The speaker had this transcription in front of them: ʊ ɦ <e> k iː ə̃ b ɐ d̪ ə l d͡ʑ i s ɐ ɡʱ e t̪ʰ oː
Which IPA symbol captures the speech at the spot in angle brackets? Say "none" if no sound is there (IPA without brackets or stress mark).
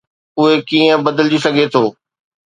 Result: e